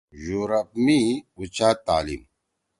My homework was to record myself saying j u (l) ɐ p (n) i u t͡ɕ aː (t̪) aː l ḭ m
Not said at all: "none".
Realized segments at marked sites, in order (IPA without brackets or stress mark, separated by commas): ɾ, m, t̪